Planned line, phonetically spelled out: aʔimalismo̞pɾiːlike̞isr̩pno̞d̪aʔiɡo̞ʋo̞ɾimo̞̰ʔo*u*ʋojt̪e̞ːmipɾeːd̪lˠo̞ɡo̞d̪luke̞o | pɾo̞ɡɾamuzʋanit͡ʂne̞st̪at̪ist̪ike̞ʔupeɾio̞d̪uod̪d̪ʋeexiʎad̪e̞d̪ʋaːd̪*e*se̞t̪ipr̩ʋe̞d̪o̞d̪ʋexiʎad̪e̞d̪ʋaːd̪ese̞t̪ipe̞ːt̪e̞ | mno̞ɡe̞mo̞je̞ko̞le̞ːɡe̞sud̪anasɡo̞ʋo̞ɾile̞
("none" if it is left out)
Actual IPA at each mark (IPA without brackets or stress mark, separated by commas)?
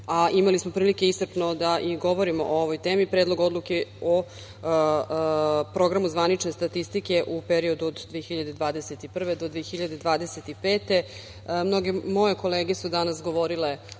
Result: o, e